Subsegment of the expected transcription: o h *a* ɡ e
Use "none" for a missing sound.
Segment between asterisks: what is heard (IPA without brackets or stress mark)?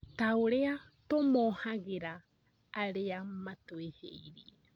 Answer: a